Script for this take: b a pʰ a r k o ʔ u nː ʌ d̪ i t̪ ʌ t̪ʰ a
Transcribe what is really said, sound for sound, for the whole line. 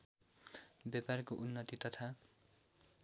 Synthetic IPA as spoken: b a p a r k o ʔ u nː ʌ t̪ i t̪ ʌ t̪ʰ a